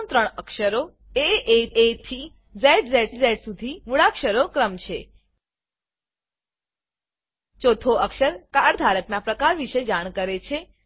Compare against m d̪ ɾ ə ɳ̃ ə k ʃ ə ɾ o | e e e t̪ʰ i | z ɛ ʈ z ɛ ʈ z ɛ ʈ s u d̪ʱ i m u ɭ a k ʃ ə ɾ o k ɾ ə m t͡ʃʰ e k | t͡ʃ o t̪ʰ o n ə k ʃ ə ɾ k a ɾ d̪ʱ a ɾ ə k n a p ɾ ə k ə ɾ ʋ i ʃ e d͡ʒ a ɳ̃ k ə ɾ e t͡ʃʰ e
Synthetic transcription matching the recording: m t̪ ɾ ə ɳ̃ ə k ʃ ə ɾ o | e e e t̪ʰ i | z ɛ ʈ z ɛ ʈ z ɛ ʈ s u d̪ʱ i m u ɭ a k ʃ ə ɾ o k ɾ ə m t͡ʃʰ e | t͡ʃ o t̪ʰ o ə k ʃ ə ɾ k a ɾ d̪ʱ a ɾ ə k n a p ɾ ə k a ɾ ʋ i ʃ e d͡ʒ a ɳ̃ k ə ɾ e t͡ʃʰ e